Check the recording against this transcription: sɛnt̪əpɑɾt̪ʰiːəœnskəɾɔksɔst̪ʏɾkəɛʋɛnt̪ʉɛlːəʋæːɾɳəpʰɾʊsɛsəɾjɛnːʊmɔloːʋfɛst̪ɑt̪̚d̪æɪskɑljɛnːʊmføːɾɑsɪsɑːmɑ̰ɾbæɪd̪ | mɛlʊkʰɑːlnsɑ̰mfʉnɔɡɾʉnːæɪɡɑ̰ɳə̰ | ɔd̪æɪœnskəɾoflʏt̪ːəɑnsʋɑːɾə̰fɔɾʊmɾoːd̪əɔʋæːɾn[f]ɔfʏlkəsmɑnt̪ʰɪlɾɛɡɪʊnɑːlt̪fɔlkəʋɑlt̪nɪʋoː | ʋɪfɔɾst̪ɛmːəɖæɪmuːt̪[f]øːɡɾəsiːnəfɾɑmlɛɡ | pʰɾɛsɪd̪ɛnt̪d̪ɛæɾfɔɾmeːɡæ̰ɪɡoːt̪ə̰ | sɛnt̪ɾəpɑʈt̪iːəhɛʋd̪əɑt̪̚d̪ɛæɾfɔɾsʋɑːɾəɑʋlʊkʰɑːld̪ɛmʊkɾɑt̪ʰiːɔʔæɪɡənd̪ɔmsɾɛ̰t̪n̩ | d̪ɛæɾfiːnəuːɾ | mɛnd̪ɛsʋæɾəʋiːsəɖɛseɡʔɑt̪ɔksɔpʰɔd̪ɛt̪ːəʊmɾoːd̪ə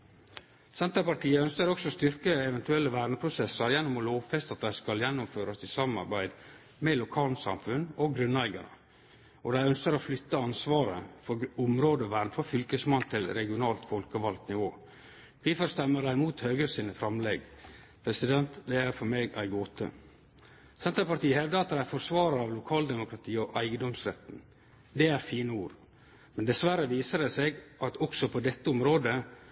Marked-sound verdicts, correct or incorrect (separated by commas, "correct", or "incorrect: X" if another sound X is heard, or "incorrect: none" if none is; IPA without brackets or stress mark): correct, incorrect: h